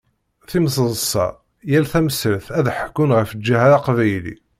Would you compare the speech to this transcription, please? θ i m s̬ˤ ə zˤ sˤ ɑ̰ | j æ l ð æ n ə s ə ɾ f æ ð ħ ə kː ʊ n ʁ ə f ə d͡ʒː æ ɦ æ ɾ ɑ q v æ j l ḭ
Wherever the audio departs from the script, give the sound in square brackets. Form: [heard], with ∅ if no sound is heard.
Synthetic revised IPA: θ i m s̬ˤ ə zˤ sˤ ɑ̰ | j æ l [θ] æ [m] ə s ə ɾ [θ] æ ð ħ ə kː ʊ n ʁ ə f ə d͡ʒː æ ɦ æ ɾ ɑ q v æ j l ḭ